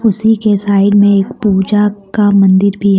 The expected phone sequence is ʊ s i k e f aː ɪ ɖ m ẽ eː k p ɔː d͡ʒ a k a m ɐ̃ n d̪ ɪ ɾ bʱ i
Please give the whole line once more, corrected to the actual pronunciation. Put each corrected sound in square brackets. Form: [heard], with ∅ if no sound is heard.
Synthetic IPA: ʊ s i k e [s] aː ɪ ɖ m ẽ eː k p [uː] d͡ʒ a k a m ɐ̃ n d̪ ɪ ɾ bʱ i